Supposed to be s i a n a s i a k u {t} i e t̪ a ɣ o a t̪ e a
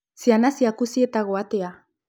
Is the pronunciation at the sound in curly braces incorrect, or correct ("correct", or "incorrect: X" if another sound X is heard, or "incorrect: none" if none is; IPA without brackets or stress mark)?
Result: incorrect: s